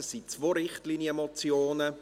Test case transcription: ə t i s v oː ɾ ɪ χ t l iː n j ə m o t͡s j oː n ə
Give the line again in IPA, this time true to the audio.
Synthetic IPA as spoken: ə s i t͡s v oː ɾ ɪ χ t l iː n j ə m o t͡s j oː n ə